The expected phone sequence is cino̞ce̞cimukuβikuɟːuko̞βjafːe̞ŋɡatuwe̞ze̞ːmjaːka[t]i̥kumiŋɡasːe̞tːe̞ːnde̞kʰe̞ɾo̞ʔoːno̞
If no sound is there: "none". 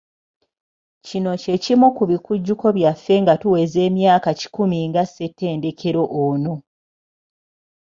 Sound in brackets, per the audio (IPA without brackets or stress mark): c